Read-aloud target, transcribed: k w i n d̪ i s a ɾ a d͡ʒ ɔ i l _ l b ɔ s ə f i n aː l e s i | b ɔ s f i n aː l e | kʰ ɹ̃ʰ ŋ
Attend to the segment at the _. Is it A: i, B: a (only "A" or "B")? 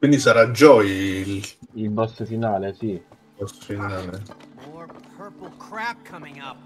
A